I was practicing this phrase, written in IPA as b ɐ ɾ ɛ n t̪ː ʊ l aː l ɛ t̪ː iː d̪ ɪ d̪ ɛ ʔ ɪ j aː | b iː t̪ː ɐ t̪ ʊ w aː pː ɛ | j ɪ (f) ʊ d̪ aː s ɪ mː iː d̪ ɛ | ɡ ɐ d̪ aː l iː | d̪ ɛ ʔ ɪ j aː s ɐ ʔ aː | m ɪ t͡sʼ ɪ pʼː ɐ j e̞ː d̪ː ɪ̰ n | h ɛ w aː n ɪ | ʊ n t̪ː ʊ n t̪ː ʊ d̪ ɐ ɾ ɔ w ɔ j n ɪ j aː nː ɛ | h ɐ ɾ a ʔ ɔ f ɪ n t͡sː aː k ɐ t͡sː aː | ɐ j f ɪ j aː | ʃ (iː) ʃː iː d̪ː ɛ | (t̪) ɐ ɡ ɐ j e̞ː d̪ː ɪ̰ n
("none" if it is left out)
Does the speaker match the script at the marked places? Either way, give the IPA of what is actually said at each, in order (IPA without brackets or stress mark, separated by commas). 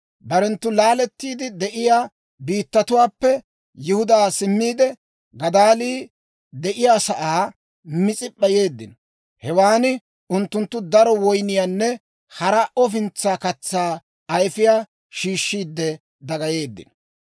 h, iː, d̪